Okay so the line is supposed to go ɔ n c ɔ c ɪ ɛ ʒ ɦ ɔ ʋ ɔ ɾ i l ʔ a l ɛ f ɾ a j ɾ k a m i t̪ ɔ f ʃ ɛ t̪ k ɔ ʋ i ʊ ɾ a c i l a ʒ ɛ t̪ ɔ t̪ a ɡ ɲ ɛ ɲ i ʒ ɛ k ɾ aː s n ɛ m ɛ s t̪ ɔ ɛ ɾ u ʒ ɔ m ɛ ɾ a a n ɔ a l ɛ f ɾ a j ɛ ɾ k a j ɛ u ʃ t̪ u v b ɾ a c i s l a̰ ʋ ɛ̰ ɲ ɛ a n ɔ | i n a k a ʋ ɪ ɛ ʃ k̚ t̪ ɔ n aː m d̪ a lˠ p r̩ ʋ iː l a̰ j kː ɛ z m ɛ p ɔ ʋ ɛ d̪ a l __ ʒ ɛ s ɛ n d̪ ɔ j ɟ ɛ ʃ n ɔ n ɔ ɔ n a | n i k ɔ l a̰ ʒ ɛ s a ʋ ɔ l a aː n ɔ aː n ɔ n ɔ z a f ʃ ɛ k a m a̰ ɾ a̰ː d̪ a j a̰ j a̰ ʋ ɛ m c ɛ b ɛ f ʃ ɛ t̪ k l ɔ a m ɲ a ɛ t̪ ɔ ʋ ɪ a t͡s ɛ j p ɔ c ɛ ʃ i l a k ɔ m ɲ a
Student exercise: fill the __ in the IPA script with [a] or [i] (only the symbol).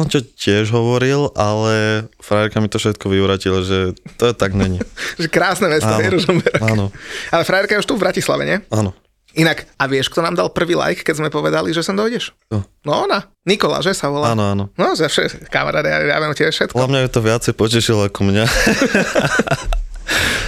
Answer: i